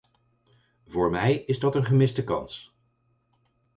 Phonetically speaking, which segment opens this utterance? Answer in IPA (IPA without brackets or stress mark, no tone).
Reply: v